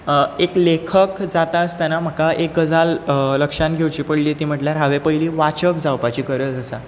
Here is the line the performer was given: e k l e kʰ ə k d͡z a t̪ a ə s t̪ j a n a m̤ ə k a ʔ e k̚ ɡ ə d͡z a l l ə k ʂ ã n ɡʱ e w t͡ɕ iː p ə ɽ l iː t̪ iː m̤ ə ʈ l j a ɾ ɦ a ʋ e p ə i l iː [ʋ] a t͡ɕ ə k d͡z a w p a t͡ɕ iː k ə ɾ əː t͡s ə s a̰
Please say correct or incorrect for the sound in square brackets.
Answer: correct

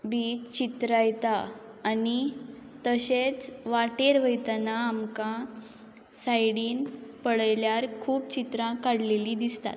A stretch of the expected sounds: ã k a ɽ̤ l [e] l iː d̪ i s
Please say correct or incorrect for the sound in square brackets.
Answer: correct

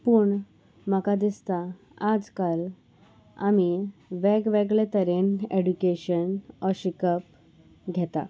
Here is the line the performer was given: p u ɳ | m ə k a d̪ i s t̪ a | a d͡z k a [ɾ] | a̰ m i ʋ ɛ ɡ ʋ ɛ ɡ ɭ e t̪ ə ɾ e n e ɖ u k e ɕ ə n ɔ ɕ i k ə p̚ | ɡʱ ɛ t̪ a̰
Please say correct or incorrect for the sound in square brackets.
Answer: incorrect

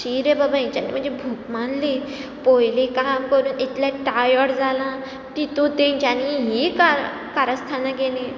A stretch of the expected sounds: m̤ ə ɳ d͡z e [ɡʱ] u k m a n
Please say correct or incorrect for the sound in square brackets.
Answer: incorrect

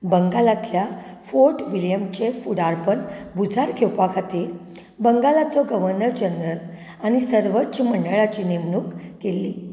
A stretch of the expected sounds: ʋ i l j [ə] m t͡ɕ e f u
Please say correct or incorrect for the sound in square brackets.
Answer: correct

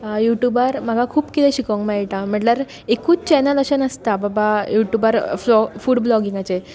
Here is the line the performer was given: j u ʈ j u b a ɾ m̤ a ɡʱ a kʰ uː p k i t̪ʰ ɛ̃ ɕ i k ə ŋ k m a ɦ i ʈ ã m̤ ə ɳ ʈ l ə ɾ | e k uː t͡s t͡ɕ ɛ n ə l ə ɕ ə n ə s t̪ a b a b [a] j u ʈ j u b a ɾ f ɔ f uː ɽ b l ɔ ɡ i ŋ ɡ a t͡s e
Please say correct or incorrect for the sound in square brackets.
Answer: correct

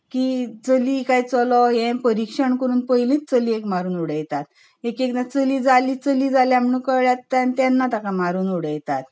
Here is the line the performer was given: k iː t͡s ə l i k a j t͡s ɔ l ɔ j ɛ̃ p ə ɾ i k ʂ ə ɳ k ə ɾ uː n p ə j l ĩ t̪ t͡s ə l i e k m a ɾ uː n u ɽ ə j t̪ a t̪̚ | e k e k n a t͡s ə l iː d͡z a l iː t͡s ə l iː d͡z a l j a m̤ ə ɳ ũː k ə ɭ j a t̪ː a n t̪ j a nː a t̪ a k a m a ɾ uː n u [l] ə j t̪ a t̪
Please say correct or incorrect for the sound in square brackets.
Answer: incorrect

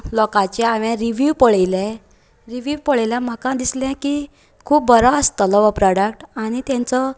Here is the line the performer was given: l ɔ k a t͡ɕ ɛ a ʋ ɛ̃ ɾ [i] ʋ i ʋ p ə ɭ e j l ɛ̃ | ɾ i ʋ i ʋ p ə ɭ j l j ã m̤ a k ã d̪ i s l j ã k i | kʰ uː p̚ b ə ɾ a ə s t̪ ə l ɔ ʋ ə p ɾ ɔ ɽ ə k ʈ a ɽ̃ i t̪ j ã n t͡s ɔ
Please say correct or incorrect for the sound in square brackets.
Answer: correct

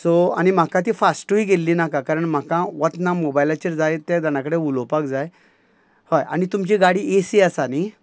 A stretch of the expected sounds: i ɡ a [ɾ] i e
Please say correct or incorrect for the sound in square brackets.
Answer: incorrect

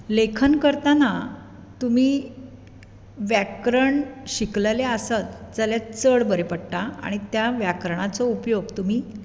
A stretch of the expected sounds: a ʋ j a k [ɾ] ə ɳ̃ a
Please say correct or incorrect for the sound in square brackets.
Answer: correct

